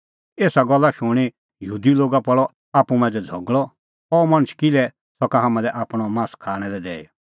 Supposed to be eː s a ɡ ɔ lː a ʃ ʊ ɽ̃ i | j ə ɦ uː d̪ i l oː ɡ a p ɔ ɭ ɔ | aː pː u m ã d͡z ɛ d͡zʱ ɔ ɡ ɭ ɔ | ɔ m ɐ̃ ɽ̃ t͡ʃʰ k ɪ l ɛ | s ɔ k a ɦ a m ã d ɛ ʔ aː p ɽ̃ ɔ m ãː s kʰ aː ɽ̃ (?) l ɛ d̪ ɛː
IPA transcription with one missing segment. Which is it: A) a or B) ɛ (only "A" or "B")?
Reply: B